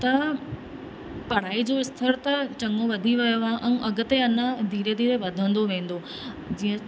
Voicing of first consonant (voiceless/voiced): voiceless